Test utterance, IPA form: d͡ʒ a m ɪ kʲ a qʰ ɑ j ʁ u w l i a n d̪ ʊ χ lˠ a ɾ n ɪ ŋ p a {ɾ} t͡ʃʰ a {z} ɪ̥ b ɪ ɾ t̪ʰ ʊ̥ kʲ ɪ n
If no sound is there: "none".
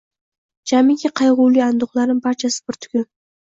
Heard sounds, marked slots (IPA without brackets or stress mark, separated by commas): ɾ, s